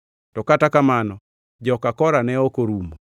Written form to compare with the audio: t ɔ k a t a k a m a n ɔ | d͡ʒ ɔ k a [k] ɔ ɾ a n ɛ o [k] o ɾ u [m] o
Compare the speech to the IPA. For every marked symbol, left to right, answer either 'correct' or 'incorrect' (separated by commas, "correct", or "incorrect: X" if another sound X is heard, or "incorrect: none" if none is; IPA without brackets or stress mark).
correct, correct, correct